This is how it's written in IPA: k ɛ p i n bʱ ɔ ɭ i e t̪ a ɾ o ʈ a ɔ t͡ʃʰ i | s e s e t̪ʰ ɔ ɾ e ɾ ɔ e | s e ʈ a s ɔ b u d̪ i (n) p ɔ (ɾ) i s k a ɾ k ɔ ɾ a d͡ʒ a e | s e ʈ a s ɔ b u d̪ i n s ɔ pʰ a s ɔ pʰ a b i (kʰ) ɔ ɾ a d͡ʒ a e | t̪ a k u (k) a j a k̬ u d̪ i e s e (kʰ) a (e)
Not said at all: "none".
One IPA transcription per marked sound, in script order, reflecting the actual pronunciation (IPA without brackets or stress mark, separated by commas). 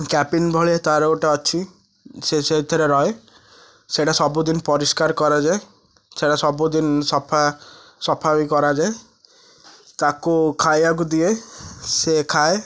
n, ɾ, k, kʰ, kʰ, e